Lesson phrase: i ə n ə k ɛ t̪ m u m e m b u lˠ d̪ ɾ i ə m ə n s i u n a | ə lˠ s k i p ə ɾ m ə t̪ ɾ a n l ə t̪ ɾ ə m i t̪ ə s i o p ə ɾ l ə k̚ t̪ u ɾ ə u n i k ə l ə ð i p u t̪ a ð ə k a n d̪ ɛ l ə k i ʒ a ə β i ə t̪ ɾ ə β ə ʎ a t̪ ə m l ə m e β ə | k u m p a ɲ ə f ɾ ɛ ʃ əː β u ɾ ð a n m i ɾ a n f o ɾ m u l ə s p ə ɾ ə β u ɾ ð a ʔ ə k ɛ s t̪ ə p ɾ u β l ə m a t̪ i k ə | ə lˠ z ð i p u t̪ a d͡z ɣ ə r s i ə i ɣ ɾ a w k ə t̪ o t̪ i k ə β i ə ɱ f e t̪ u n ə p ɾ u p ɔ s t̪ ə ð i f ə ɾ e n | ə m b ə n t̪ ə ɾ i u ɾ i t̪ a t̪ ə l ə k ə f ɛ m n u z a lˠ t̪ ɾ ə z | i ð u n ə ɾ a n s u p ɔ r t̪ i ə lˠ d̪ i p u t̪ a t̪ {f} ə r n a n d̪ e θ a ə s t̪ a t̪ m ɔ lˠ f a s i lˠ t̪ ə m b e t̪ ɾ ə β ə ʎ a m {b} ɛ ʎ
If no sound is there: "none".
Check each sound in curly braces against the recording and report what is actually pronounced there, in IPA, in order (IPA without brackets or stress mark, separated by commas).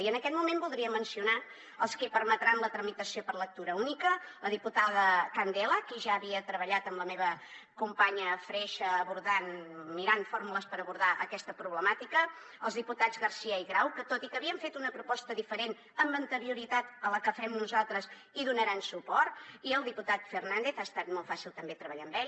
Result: f, b